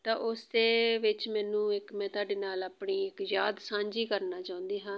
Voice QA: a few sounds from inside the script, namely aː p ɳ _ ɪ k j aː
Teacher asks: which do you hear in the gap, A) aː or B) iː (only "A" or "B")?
B